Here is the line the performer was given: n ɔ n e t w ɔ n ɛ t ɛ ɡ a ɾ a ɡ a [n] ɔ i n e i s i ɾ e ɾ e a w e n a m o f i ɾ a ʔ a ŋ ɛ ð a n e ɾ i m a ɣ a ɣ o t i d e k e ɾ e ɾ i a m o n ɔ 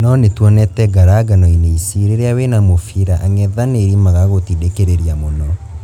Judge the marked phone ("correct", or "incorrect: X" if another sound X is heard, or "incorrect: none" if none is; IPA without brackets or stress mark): correct